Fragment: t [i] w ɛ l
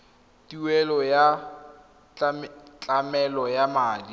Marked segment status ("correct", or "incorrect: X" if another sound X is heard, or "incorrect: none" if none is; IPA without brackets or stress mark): correct